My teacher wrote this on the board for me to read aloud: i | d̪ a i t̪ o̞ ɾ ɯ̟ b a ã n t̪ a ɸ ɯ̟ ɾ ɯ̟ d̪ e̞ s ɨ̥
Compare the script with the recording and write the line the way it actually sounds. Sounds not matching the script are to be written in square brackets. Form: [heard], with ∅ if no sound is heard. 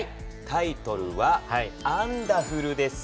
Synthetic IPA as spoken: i | [t̪] a i t̪ o̞ ɾ ɯ̟ [β] a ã n [d̪] a ɸ ɯ̟ ɾ ɯ̟ d̪ e̞ s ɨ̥

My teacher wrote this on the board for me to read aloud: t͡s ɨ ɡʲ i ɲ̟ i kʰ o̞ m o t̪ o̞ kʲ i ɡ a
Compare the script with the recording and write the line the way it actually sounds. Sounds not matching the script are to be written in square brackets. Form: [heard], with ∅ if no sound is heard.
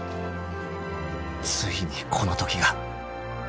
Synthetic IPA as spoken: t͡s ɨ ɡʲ i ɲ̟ i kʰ o̞ [n] o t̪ o̞ kʲ i ɡ a

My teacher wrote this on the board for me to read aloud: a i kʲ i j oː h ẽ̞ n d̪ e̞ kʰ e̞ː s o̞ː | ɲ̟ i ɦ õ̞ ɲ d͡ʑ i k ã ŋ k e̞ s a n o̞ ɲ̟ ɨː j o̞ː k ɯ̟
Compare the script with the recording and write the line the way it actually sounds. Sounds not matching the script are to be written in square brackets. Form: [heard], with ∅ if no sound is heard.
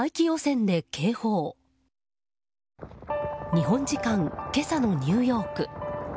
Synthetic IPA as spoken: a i kʲ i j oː [s] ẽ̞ n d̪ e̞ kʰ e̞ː [h] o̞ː | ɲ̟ i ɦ õ̞ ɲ d͡ʑ i k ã ŋ k e̞ s a n o̞ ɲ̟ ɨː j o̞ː k ɯ̟

